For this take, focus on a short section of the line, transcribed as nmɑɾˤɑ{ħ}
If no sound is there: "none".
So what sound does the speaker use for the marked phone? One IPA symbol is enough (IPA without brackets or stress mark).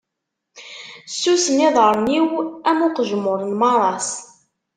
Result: s